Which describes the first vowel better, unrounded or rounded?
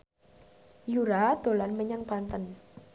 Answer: rounded